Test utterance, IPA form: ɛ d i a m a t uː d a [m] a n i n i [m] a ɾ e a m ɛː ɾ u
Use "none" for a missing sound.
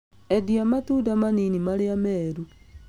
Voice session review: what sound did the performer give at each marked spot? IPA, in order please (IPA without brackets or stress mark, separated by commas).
m, m